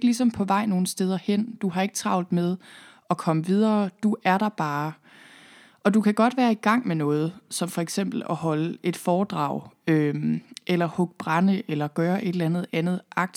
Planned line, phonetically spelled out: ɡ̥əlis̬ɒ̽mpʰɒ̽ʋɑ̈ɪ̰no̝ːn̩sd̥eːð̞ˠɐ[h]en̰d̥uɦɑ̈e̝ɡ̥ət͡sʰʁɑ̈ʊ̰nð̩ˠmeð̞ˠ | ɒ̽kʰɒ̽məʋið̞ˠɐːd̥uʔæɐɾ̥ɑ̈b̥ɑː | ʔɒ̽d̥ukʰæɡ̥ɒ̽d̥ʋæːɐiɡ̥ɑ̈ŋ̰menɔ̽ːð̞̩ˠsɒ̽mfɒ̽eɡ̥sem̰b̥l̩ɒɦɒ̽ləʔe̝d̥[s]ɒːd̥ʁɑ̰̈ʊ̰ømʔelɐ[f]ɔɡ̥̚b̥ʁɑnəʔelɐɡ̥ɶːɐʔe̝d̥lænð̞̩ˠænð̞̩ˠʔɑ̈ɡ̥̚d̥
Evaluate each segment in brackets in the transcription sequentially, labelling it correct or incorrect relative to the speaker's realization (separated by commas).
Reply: correct, incorrect, incorrect